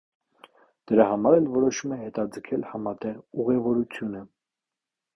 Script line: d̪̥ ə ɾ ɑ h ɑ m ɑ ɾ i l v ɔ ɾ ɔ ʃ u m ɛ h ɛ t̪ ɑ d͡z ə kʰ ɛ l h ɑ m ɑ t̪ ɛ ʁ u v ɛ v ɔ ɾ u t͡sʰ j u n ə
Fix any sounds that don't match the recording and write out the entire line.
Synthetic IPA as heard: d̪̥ ə ɾ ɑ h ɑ m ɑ ɾ ɛ l v ɔ ɾ ɔ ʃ u m ɛ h ɛ t̪ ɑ d͡z ə kʰ ɛ l h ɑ m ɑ t̪ ɛ ʁ u ʁ ɛ v ɔ ɾ u t͡sʰ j u n ə

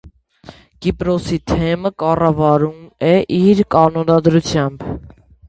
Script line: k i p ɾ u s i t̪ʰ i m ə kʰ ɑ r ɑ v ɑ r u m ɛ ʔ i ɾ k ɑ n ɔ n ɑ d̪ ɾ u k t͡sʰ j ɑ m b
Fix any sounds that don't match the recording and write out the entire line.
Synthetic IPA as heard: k i p ɾ ɔ s i t̪ʰ ɛ m ə k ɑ r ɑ v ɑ ɾ u m ɛ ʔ i ɾ k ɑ n ɔ n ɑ d̪ ɾ u t͡sʰ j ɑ m b

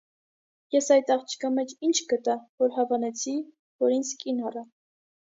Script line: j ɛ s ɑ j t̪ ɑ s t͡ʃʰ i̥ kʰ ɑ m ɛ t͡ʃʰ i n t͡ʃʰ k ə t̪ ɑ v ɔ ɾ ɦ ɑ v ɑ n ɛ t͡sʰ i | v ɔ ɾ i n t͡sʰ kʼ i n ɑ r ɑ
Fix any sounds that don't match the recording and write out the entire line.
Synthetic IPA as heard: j ɛ s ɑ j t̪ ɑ χ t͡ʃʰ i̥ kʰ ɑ m ɛ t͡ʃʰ i n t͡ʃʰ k ə t̪ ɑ v ɔ ɾ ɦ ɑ v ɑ n ɛ t͡sʰ i | v ɔ ɾ i n t͡sʰ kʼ i n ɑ r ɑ

